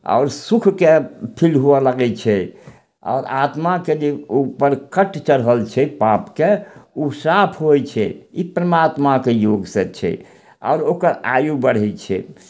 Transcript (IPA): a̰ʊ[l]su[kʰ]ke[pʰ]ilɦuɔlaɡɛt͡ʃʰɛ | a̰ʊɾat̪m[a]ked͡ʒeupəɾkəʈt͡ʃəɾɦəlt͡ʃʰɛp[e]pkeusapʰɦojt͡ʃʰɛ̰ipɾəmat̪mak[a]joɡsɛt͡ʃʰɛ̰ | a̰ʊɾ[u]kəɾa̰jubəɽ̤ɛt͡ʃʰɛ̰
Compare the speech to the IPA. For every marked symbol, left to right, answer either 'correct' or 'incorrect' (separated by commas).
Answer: incorrect, correct, correct, correct, incorrect, incorrect, incorrect